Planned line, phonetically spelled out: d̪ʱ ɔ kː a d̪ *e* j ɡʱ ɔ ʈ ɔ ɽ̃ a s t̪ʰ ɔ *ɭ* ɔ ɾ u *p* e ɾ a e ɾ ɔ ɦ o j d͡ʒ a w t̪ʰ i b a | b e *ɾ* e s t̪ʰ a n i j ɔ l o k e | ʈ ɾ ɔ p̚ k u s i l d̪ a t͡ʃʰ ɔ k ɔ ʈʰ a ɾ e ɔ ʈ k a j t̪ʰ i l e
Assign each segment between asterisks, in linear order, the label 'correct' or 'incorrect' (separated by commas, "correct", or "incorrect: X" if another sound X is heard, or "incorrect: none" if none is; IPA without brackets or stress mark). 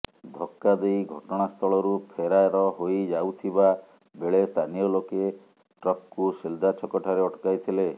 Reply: correct, correct, incorrect: pʰ, incorrect: ɭ